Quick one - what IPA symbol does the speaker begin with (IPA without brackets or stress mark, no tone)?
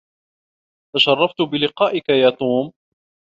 t̪